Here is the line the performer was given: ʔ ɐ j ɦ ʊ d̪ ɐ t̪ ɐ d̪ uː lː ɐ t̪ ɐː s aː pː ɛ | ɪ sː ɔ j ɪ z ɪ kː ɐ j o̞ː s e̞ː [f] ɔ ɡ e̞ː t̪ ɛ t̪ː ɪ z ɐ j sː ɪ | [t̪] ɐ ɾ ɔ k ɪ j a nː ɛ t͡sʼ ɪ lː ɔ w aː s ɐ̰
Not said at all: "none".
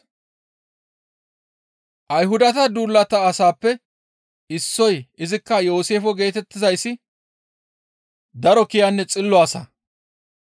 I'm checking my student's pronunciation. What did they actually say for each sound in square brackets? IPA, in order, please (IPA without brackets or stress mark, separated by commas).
f, d̪